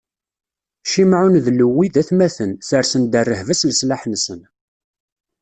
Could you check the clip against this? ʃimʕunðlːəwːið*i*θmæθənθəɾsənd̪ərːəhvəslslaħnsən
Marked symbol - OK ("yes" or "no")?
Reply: no